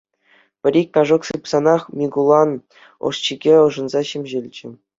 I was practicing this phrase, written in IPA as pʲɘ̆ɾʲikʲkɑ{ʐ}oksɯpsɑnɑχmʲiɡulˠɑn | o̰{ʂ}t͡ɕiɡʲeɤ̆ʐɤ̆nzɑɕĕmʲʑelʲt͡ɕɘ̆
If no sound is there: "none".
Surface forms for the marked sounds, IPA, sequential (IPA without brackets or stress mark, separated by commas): ʐ, ʂ